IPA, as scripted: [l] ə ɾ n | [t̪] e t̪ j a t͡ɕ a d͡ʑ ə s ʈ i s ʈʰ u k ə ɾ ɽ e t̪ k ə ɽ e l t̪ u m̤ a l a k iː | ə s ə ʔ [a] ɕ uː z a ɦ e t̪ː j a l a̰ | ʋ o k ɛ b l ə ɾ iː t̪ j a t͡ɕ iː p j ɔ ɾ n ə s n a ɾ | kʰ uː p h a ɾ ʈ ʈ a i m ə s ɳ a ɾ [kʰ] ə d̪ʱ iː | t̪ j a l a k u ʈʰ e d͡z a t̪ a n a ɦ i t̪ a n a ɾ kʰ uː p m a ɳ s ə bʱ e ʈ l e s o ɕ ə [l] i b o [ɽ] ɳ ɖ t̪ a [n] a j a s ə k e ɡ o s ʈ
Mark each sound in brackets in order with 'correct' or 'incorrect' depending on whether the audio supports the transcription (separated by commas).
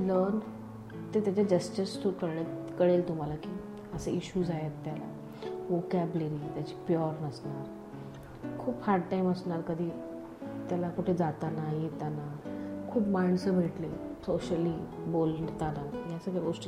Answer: correct, correct, incorrect, incorrect, correct, incorrect, correct